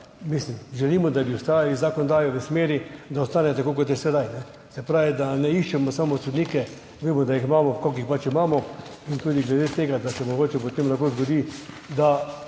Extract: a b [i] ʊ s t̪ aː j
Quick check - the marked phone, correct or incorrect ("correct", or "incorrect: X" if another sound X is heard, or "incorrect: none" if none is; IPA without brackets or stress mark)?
correct